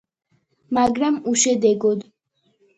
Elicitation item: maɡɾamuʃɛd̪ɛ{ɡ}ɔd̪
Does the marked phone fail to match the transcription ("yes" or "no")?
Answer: no